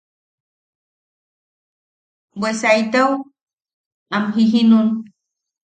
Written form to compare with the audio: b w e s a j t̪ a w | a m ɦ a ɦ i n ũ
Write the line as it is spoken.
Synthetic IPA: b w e s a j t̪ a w | a m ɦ i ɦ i n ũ